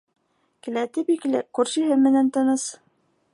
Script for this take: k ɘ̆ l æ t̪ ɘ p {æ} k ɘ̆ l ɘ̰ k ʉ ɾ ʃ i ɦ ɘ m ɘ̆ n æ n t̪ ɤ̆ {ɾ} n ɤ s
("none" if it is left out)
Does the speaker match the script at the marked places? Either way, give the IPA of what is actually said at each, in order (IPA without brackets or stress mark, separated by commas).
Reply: i, none